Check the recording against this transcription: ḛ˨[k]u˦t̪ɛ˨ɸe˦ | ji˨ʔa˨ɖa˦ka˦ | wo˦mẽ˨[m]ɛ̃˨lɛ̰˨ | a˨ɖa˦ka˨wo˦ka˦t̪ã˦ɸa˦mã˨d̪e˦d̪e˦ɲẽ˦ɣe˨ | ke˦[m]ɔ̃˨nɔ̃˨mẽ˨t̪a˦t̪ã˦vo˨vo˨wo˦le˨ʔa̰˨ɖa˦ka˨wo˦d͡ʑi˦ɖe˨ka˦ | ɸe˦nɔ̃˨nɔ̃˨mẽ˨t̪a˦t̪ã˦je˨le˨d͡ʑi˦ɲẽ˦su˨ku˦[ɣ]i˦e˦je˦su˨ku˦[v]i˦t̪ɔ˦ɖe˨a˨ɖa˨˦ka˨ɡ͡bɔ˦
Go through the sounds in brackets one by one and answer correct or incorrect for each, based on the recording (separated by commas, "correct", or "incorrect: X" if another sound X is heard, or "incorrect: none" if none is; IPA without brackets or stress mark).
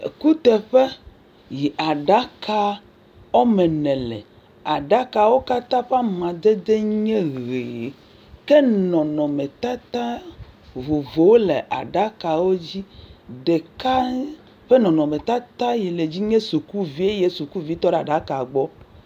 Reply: correct, incorrect: n, incorrect: n, incorrect: v, correct